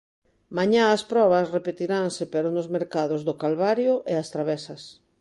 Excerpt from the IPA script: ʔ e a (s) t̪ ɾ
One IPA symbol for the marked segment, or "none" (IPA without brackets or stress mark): s